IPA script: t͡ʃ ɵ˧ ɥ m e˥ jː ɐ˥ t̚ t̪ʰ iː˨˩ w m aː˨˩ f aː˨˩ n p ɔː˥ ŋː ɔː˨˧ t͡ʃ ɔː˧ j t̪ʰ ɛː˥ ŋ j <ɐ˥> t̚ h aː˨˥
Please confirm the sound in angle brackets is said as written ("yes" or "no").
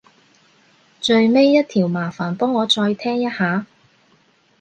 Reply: yes